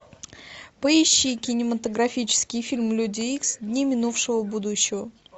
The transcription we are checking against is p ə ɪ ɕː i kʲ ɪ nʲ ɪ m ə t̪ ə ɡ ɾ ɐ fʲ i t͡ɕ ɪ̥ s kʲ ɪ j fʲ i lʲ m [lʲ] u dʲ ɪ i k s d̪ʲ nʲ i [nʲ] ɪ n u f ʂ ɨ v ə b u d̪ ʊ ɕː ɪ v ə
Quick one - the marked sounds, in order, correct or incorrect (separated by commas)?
correct, incorrect